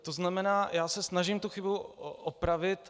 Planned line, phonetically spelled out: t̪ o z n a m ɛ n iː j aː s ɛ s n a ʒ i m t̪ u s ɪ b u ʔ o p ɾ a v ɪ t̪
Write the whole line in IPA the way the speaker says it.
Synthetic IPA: t̪ o z n a m ɛ n aː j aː s ɛ s n a ʒ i m t̪ u x ɪ b u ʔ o p ɾ a v ɪ t̪